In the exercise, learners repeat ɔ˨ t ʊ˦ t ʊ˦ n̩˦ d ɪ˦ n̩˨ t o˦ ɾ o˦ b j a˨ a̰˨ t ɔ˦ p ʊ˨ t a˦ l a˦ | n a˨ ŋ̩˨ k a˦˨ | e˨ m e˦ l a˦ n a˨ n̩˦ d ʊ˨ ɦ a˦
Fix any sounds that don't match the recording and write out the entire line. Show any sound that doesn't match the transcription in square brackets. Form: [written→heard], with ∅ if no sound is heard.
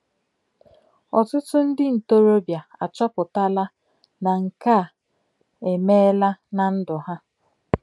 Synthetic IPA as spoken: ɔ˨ t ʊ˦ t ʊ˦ n̩˦ d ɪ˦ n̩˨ t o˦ ɾ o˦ b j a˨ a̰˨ [t→t͡ʃ] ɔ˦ p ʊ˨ t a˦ l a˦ | n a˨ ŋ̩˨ k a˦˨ | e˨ m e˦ l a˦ n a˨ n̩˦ d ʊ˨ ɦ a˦

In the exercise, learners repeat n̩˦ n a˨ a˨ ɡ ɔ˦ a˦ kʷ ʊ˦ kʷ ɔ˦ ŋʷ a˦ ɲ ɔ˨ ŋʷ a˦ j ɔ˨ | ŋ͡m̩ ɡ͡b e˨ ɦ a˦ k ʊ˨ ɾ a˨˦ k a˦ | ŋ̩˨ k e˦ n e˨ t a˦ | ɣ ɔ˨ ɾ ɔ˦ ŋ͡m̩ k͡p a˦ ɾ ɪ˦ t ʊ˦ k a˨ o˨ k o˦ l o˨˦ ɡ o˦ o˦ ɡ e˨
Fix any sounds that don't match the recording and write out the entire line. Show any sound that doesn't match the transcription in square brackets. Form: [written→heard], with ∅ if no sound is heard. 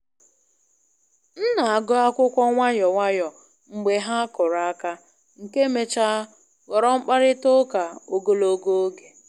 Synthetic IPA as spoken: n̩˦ n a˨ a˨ ɡ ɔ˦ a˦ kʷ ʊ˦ kʷ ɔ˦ ŋʷ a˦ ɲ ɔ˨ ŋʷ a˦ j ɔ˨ | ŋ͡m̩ ɡ͡b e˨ ɦ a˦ k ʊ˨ ɾ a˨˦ k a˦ | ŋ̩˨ k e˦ [n→m] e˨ [t→t͡ʃ] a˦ | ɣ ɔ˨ ɾ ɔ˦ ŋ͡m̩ k͡p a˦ ɾ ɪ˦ t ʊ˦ k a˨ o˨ [k→ɡ] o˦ l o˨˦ ɡ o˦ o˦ ɡ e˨

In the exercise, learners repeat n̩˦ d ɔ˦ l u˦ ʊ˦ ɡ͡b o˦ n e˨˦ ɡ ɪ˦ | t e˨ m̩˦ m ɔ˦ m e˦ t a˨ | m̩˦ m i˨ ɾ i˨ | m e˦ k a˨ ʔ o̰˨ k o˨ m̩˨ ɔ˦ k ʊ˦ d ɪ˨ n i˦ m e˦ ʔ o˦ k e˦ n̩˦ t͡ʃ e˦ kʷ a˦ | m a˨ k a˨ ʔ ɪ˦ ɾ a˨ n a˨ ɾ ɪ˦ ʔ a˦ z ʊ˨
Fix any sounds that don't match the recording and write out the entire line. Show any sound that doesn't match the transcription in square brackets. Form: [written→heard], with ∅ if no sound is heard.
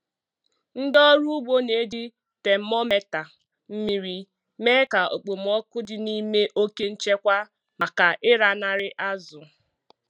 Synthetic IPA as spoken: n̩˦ d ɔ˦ [l→ɾ] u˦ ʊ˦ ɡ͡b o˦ n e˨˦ [ɡ→d] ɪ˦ | t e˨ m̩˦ m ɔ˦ m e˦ t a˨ | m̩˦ m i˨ ɾ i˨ | m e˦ k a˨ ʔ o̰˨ [k→k͡p] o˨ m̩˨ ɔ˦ k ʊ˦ d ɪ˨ n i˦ m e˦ ʔ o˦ k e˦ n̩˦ t͡ʃ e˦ kʷ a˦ | m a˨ k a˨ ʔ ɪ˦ ɾ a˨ n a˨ ɾ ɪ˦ ʔ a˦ z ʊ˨

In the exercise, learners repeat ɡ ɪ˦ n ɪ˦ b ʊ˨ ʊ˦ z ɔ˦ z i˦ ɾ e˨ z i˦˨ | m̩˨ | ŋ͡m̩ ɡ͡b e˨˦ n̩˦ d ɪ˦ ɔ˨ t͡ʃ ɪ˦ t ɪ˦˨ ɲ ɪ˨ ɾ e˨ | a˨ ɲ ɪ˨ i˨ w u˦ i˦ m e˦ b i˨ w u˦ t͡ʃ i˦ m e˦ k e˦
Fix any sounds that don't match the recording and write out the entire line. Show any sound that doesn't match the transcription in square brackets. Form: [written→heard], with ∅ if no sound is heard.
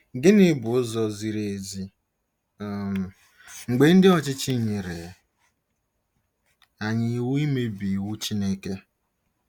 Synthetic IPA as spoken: ɡ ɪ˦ n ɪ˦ b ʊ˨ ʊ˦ z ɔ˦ z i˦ ɾ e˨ z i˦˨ | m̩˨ | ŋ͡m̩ ɡ͡b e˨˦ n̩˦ d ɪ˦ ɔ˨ t͡ʃ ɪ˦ [t→t͡ʃ] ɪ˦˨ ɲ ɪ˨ ɾ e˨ | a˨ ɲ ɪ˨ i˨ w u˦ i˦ m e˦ b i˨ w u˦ t͡ʃ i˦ [m→n] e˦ k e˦

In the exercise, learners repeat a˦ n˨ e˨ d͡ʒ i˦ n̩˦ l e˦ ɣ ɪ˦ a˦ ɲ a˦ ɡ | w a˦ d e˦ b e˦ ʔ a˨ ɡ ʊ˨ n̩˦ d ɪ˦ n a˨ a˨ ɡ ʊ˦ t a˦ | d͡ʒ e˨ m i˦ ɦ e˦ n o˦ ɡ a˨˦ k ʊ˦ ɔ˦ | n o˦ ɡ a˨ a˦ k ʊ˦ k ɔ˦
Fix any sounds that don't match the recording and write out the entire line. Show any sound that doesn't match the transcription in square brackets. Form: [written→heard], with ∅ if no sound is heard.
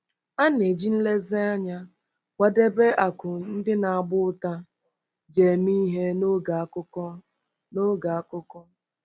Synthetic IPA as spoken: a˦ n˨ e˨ d͡ʒ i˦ n̩˦ l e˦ [ɣ→z] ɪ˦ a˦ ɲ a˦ [ɡ→∅] | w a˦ d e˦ b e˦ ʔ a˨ [ɡ→k] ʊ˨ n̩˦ d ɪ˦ n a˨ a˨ [ɡ→ɡ͡b] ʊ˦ t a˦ | d͡ʒ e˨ m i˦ ɦ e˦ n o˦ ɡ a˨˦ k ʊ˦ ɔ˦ | n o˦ ɡ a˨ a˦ k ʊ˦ k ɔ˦

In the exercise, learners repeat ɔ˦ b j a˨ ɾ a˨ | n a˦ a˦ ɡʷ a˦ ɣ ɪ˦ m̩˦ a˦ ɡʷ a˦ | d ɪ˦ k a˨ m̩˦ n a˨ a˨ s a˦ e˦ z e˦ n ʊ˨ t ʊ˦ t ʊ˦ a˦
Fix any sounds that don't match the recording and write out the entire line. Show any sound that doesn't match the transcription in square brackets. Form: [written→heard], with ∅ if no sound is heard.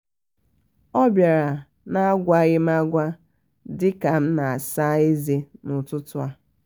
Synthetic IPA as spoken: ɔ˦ b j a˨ ɾ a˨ | n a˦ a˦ ɡʷ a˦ ɣ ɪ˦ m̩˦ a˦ ɡʷ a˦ | d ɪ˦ k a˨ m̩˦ n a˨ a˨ s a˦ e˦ z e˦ n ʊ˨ t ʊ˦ t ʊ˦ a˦

